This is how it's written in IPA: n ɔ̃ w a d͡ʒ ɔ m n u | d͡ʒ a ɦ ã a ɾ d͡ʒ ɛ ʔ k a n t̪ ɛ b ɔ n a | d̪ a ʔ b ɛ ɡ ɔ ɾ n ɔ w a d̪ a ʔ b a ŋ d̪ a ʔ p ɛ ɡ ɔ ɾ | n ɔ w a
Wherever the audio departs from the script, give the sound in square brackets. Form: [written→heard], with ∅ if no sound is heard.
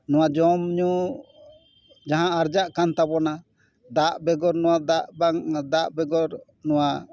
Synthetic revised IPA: n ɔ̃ w a d͡ʒ ɔ m [n→ɲ] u | d͡ʒ a ɦ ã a ɾ d͡ʒ [ɛ→a] ʔ k a n t̪ [ɛ→a] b ɔ n a | d̪ a ʔ b ɛ ɡ ɔ ɾ n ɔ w a d̪ a ʔ b a ŋ d̪ a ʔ [p→b] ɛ ɡ ɔ ɾ | n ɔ w a